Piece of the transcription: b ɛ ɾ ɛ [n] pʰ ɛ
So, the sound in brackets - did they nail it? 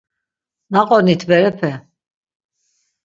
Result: no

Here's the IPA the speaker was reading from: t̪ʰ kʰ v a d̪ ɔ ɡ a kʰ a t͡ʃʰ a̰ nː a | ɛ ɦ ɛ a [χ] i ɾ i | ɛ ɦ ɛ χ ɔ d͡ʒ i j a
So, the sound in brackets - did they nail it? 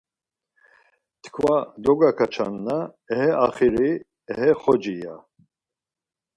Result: yes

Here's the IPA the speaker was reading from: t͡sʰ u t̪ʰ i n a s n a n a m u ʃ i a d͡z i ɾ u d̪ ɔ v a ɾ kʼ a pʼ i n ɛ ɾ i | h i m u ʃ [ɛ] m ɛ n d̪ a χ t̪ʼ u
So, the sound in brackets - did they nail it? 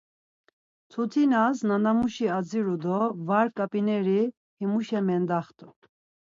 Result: yes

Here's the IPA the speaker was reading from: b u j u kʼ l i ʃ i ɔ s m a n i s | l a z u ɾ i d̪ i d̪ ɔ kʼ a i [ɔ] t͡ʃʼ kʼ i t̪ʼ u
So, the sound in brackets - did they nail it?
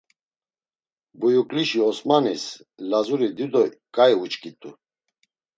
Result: no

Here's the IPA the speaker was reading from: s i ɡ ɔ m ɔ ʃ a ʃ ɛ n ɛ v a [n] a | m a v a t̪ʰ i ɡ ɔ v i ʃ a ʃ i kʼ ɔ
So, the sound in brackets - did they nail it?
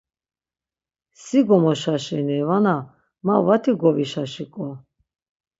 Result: yes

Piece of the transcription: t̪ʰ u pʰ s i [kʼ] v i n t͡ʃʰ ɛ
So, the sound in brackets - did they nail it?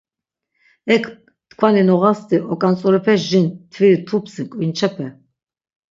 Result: yes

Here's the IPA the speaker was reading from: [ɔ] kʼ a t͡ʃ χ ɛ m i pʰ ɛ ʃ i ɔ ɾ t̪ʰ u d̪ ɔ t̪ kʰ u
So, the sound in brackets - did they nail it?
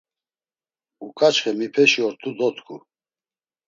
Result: no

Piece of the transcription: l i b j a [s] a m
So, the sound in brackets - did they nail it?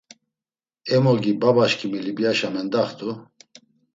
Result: no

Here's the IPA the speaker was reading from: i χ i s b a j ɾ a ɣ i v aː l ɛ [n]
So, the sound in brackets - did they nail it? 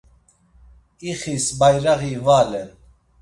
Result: yes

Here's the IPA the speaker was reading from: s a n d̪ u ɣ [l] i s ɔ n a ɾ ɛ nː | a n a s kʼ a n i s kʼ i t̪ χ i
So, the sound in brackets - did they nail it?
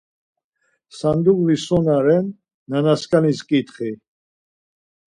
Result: yes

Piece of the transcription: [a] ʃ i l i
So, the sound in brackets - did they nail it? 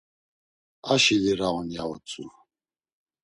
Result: yes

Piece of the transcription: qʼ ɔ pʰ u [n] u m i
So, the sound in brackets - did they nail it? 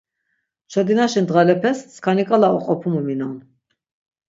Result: no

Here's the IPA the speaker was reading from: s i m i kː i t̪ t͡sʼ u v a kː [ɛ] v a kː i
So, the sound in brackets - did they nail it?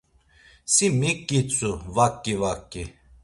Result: no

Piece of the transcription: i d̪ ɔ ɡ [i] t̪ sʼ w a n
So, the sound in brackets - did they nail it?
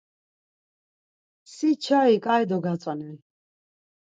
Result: no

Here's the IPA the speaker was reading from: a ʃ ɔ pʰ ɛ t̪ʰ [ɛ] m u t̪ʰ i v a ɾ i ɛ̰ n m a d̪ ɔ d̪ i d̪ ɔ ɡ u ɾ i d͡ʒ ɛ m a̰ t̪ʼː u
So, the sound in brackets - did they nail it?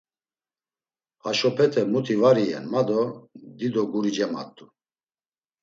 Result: yes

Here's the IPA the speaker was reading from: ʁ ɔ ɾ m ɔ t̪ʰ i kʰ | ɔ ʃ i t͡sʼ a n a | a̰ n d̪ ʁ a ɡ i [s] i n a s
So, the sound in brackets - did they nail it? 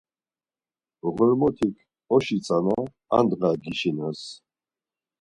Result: no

